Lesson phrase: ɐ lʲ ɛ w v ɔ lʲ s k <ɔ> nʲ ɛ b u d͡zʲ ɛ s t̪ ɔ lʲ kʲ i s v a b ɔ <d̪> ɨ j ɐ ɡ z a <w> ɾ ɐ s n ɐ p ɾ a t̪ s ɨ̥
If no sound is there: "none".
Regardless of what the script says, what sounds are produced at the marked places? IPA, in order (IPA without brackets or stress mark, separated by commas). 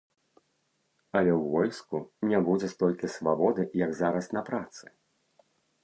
u, d̪, none